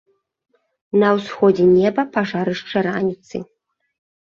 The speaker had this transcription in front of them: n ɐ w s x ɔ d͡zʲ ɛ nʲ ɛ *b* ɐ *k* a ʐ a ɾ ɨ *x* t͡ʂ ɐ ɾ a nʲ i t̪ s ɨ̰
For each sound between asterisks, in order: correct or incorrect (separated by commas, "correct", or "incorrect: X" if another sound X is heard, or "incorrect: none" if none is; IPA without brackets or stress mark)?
correct, incorrect: p, incorrect: ʂ